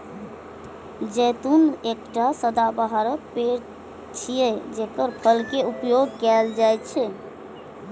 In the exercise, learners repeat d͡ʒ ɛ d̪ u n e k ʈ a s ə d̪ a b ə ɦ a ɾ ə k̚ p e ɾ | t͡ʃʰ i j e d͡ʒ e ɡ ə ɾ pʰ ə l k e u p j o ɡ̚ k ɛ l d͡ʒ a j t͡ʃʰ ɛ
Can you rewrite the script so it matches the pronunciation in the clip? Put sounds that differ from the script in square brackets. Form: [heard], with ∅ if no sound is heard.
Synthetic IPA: d͡ʒ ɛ [t̪] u n e k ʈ a s ə d̪ a b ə ɦ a ɾ ə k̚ p e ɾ | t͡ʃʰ i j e d͡ʒ e [k] ə ɾ pʰ ə l k e u p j o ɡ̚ k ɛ l d͡ʒ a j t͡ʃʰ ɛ